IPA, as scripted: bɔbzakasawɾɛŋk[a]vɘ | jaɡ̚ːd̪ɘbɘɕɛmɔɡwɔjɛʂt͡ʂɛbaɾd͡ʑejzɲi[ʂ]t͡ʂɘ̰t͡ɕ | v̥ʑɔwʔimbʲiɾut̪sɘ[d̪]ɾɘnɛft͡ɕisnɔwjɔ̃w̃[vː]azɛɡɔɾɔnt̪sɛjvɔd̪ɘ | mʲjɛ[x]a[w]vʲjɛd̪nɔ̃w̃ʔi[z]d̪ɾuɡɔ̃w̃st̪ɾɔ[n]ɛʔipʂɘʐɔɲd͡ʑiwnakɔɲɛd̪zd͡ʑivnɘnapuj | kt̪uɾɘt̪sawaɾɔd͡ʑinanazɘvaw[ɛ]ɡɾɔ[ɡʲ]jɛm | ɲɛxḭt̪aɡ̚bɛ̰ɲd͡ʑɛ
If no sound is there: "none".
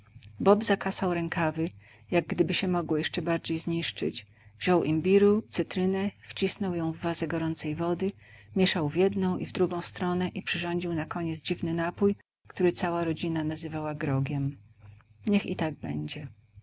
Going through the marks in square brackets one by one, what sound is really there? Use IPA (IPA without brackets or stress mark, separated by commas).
a, ʂ, t̪, vː, ʂ, w, v, n, a, ɡʲ